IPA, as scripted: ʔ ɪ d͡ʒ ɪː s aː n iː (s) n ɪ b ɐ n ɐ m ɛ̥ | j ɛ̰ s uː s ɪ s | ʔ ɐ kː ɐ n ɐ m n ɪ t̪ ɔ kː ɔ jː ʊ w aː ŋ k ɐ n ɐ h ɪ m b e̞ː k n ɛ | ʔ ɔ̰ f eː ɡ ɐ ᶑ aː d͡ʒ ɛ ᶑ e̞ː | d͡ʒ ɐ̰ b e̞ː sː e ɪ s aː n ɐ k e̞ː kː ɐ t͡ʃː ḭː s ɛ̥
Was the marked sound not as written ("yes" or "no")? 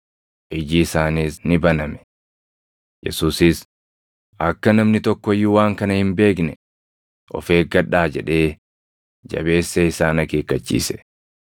no